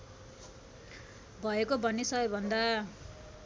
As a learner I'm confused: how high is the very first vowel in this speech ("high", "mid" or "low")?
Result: mid